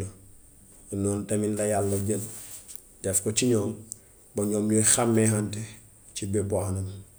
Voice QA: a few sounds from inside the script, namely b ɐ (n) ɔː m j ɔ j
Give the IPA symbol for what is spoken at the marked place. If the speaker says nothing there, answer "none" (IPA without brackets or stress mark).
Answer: ɲ